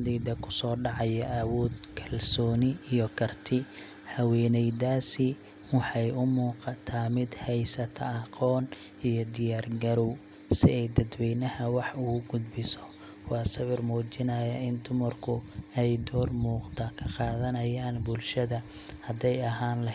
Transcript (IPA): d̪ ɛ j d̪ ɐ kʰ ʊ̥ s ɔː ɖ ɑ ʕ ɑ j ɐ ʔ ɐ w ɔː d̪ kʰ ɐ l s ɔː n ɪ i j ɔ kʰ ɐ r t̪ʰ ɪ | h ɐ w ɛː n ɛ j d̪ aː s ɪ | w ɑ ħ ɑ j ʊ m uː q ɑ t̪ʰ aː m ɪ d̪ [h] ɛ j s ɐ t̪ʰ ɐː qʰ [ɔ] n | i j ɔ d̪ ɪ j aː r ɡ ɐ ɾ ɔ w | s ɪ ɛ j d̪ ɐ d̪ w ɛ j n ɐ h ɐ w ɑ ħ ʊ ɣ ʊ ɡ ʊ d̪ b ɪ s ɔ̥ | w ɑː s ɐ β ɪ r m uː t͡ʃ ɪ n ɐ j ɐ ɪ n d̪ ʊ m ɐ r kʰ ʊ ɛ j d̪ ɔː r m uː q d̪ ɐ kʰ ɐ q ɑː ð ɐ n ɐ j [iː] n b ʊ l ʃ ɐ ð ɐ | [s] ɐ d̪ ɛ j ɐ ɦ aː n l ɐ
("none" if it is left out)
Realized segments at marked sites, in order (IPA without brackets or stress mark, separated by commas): h, ɔː, aː, h